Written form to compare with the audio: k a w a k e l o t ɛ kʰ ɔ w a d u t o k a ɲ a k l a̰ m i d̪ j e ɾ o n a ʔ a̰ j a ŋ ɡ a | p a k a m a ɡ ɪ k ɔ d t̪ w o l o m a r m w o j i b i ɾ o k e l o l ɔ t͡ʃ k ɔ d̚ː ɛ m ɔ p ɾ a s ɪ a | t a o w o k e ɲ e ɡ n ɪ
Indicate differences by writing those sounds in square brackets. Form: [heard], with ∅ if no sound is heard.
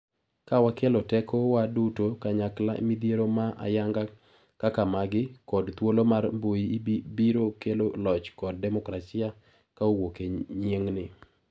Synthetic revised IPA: k a w a k e l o t ɛ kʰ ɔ w a d u t o k a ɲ a k l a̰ m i d̪ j e ɾ o [m] a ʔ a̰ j a ŋ ɡ a | [k] a k a m a ɡ ɪ k ɔ d t̪ w o l o m a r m [b] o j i b i ɾ o k e l o l ɔ t͡ʃ k ɔ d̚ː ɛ m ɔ [k] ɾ a s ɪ a | [k] a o w o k e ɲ e [ŋ] n ɪ